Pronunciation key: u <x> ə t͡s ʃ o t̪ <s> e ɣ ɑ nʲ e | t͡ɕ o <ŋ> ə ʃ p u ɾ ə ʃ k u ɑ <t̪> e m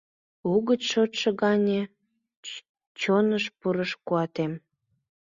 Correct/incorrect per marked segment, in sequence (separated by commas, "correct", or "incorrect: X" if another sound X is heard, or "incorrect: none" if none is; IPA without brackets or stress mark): incorrect: ɣ, incorrect: ʃ, incorrect: n, correct